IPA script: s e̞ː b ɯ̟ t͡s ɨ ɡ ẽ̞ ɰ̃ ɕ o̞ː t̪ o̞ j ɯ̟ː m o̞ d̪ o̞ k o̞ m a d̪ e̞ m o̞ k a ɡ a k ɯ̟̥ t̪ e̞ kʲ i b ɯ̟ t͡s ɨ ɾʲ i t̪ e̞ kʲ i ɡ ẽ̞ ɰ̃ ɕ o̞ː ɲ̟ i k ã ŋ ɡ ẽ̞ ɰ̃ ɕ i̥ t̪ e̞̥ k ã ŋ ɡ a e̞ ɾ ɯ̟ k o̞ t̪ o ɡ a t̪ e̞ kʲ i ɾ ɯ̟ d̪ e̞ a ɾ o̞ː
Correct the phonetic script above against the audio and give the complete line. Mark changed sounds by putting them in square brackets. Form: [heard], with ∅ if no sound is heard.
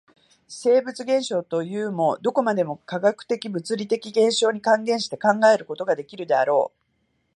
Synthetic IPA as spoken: s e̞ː b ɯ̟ t͡s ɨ ɡ ẽ̞ ɰ̃ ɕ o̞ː t̪ o̞ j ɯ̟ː m o̞ d̪ o̞ k o̞ m a d̪ e̞ m o̞ k a ɡ a k ɯ̟̥ t̪ e̞ kʲ i b ɯ̟ t͡s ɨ ɾʲ i t̪ e̞ kʲ i ɡ ẽ̞ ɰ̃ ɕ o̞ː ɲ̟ i k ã ŋ ɡ ẽ̞ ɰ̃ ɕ i̥ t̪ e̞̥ k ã ŋ ɡ a e̞ ɾ ɯ̟ k o̞ t̪ o ɡ a [d̪] e̞ kʲ i ɾ ɯ̟ d̪ e̞ a ɾ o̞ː